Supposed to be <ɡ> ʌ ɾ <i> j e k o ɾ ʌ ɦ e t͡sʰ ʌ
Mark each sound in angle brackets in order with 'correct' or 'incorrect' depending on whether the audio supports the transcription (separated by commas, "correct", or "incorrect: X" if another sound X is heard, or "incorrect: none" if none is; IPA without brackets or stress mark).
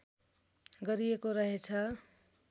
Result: correct, correct